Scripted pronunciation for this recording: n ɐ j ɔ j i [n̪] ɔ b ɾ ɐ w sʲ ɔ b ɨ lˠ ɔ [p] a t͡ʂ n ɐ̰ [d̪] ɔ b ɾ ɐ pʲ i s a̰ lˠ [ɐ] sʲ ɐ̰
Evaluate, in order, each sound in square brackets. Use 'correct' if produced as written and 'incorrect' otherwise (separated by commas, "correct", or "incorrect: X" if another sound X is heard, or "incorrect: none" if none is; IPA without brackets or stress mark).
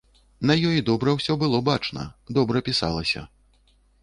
incorrect: d̪, incorrect: b, correct, correct